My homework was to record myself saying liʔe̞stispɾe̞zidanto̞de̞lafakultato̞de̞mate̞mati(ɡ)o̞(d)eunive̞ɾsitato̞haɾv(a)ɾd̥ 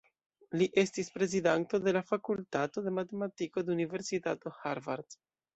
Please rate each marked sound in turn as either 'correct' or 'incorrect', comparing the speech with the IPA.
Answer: incorrect: k, correct, correct

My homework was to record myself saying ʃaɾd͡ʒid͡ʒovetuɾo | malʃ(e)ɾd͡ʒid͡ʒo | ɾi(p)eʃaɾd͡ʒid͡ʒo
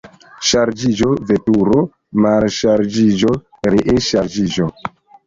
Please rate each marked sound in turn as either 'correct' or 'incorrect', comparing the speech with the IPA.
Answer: incorrect: a, incorrect: ʔ

